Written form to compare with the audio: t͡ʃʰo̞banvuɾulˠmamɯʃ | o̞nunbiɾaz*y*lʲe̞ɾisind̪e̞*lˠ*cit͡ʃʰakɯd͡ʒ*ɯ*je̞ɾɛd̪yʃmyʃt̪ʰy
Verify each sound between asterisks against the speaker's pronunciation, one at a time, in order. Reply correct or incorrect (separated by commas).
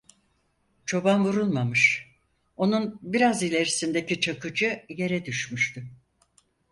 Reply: incorrect, incorrect, correct